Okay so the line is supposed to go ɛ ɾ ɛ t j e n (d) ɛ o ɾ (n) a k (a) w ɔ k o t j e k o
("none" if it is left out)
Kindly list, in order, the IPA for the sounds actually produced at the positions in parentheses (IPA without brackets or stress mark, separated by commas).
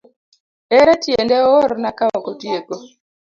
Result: d, n, a